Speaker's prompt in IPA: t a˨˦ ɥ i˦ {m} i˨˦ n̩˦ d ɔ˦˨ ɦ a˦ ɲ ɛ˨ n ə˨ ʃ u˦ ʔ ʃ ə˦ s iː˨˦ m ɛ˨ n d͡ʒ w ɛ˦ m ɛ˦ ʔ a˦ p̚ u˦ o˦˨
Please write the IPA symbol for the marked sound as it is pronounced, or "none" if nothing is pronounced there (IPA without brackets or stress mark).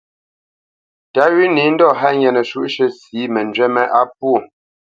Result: n